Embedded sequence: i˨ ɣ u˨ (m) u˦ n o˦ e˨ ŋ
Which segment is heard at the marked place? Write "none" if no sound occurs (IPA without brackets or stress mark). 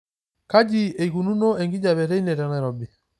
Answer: n